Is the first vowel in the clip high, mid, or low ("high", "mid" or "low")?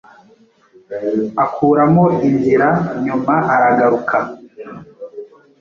low